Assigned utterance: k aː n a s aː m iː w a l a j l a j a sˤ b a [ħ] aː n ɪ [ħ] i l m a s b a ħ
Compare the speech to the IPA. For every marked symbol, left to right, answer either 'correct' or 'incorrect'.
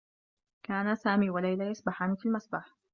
correct, incorrect

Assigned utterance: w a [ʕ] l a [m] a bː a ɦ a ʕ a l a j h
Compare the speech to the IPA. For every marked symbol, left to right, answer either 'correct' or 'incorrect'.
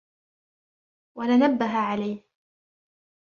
incorrect, incorrect

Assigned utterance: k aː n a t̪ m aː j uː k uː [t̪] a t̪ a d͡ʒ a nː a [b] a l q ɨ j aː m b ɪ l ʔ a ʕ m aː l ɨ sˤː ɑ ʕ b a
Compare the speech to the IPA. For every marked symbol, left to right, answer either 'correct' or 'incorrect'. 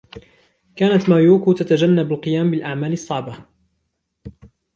correct, correct

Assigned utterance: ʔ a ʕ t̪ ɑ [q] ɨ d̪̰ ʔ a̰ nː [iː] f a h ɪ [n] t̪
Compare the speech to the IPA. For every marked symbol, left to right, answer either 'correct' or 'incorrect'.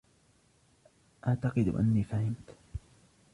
correct, correct, incorrect

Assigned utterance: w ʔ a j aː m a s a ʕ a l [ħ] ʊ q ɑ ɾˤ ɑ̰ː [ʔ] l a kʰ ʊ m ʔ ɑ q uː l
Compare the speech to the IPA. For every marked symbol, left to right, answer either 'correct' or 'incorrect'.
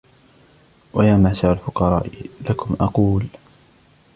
incorrect, correct

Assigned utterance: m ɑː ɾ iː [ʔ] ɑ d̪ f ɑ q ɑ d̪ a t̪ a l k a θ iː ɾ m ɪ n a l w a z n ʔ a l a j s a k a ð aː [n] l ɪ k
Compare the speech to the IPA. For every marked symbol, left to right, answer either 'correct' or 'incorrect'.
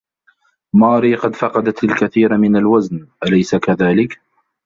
incorrect, incorrect

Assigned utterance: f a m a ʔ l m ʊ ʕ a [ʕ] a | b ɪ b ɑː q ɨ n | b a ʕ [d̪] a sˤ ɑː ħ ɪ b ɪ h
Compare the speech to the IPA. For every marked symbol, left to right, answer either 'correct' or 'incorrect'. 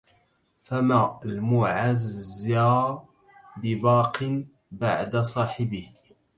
incorrect, correct

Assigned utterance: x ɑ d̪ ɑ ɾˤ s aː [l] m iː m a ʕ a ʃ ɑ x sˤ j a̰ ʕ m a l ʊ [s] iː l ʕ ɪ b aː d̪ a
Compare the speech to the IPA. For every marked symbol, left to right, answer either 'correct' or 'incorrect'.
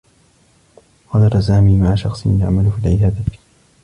incorrect, incorrect

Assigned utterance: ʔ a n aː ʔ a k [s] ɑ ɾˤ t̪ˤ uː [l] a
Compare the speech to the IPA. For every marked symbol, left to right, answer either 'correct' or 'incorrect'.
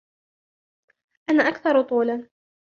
incorrect, correct

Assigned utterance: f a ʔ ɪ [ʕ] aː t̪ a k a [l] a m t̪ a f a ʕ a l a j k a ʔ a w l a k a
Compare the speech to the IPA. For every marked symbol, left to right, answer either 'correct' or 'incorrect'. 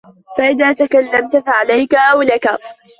incorrect, incorrect

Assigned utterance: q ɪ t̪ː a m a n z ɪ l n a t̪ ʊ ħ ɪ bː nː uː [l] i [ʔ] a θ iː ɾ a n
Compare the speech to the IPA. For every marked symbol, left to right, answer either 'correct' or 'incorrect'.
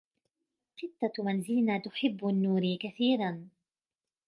incorrect, incorrect

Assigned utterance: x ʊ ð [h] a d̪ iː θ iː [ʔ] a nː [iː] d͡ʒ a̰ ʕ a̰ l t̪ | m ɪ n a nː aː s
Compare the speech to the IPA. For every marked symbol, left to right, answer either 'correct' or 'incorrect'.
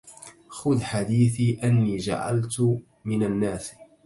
incorrect, correct, correct

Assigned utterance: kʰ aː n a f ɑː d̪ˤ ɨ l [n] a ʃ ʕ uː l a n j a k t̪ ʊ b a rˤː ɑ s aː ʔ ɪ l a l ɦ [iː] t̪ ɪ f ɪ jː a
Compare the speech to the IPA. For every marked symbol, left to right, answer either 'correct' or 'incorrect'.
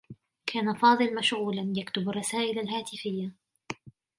incorrect, incorrect

